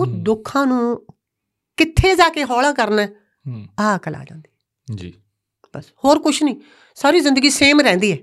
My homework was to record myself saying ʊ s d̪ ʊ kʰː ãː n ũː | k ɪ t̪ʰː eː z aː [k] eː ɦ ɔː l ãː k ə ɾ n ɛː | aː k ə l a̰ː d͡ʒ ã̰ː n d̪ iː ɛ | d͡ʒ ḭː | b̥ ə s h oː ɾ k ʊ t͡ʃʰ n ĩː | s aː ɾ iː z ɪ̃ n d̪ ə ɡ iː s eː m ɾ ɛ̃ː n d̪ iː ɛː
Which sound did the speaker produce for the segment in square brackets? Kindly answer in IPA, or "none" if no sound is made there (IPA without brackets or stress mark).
k